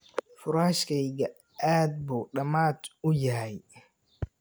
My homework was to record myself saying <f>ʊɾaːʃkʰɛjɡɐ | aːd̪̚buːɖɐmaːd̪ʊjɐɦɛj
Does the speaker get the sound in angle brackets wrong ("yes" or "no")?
no